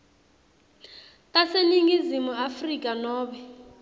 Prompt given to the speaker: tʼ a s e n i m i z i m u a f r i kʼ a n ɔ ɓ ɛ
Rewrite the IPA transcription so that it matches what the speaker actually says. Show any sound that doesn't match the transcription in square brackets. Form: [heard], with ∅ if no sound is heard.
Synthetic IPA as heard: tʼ a s e n i [ŋ] i z i m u a f r i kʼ a n [ɔː] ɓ ɛ